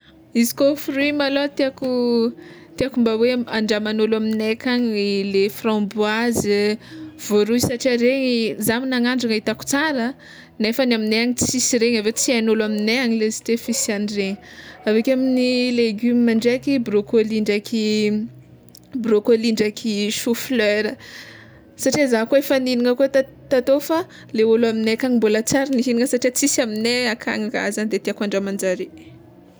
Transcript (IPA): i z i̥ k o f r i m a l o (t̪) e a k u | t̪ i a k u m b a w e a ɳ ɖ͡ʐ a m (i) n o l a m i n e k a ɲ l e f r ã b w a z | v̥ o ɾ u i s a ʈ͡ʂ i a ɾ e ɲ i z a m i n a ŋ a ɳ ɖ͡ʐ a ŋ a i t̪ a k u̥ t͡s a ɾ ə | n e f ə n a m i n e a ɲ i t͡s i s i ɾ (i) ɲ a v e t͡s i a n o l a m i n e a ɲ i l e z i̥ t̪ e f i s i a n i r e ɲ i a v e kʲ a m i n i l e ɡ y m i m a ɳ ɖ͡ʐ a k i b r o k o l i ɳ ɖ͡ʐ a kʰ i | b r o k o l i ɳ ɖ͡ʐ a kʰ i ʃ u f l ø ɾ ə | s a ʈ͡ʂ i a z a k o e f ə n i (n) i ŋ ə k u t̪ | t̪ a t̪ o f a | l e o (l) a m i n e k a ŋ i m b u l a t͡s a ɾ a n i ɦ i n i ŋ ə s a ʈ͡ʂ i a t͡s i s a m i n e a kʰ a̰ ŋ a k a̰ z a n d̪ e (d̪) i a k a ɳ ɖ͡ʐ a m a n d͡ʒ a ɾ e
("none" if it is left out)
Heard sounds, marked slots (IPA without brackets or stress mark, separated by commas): t̪, a, e, n, l, t̪